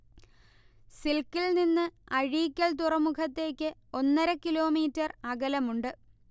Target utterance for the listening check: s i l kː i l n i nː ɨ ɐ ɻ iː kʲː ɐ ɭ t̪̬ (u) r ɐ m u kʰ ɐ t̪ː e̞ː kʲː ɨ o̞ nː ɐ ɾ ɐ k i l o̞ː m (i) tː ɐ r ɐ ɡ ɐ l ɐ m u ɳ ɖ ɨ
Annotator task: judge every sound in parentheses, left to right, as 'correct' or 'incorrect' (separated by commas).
correct, incorrect